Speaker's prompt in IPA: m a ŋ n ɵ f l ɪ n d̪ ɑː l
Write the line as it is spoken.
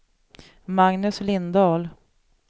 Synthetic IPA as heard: m a ŋ n ɵ s l ɪ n d̪ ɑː l

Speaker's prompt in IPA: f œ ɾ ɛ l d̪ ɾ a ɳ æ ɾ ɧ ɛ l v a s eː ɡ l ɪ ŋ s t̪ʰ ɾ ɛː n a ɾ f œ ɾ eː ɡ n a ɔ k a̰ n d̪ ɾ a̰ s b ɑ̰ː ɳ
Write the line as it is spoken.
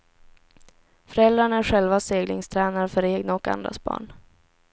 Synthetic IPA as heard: f œ ɾ ɛ l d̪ ɾ a ɳ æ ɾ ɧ ɛ l v a s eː ɡ l ɪ ŋ s t̪ʰ ɾ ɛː n a ɾ f œ ɾ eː ɡ n a ɔ k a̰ n d̪ ɾ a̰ s b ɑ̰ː ɳ

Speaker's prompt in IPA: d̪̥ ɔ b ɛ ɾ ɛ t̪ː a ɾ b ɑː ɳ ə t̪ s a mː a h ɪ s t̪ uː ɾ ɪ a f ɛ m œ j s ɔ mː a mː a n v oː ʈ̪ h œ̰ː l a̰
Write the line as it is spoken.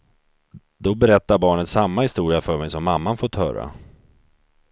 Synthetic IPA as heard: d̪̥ ɔ b ɛ ɾ ɛ t̪ː a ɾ b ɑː ɳ ə t̪ s a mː a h ɪ s t̪ uː ɾ ɪ a f œ m ɛ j s ɔ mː a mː a n f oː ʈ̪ h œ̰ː ɾ a̰

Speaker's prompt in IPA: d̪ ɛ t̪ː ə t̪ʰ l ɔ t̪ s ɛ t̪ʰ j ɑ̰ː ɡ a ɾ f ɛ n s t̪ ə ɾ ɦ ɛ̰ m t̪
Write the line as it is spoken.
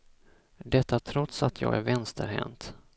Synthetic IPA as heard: d̪ ɛ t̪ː a t̪ʰ ɾ ɔ t̪ s a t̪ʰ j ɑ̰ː ɡ æ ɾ v ɛ n s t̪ ə ɾ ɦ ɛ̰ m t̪

